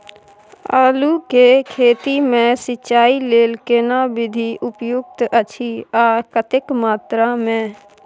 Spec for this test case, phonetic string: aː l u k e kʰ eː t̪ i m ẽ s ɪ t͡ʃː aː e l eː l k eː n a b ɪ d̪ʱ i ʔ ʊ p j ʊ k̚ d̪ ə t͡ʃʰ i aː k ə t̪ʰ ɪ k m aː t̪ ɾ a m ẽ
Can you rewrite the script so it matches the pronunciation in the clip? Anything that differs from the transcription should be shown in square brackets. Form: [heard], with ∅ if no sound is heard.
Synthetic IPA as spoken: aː l u k e kʰ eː t̪ i m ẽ s ɪ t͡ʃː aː [i] l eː l k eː n a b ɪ d̪ʱ i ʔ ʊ p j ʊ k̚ [t̪] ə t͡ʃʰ i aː k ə [t̪] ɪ k m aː t̪ ɾ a m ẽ